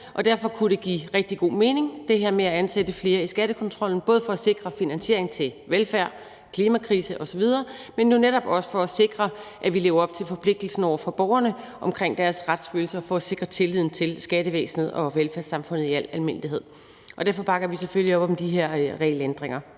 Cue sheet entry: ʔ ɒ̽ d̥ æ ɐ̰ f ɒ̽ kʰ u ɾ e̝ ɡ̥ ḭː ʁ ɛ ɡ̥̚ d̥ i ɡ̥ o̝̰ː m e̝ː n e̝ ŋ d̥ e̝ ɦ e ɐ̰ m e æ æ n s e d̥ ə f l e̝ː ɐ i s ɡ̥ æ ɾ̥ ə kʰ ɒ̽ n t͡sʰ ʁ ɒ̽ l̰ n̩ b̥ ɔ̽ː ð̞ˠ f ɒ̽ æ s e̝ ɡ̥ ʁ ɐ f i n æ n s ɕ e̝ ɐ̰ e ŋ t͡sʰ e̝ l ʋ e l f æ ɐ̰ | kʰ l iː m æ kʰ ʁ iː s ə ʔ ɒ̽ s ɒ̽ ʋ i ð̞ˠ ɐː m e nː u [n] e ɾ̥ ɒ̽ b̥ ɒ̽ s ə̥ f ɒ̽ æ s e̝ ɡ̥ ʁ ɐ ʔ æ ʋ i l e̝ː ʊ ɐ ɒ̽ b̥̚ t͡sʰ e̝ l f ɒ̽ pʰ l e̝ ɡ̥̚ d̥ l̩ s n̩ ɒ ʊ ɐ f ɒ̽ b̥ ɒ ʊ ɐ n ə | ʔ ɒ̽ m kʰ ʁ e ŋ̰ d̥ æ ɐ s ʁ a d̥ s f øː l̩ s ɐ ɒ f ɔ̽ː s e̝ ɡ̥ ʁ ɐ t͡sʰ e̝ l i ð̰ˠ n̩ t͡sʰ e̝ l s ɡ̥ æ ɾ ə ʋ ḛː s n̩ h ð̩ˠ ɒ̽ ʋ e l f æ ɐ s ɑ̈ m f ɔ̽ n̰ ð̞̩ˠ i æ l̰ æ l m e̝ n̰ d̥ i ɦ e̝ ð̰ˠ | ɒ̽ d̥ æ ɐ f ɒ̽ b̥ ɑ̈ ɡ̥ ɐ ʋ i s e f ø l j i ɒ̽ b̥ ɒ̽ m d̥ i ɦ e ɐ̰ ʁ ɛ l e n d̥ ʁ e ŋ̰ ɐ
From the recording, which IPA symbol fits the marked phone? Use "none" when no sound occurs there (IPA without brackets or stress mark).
n